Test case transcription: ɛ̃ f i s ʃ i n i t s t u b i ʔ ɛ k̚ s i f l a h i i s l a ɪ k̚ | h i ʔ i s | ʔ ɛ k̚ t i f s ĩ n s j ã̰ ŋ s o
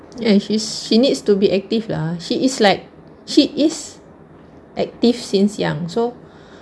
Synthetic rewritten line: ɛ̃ ʃ i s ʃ i n i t s t u b i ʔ ɛ k̚ t i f l a ʃ i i s l a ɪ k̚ | ʃ i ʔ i s | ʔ ɛ k̚ t i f s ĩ n s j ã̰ ŋ s o